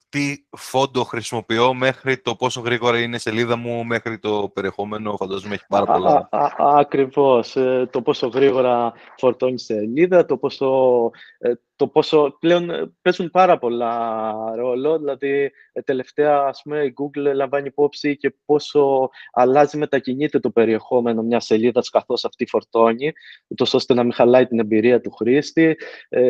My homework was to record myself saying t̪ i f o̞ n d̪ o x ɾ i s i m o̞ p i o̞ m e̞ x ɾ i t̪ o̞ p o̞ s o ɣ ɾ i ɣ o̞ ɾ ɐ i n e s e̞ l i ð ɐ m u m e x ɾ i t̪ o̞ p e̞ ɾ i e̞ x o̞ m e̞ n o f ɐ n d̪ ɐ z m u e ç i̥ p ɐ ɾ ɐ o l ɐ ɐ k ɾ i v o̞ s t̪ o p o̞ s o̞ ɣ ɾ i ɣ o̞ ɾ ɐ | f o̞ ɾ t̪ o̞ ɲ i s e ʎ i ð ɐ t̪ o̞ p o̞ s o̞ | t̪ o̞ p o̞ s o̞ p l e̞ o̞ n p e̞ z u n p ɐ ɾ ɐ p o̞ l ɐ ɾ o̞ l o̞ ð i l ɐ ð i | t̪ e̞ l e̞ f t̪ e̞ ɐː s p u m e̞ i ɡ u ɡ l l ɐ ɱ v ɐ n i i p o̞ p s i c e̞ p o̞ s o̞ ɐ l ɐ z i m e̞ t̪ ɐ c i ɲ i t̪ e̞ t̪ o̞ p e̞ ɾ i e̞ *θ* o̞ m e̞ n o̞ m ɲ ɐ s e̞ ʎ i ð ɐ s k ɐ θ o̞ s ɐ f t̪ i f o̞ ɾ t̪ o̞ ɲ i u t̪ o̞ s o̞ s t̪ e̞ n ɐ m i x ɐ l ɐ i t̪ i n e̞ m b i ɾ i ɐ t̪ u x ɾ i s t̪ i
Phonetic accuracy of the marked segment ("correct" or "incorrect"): incorrect